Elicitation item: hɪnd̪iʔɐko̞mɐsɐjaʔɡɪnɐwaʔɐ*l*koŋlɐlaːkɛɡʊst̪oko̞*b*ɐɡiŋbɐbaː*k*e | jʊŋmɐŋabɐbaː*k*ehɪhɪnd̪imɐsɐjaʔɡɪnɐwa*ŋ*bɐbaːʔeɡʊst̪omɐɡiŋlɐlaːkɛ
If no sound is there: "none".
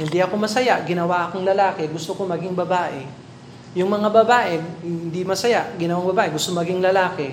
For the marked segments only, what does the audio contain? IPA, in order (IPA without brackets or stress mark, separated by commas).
none, m, ʔ, ʔ, ŋ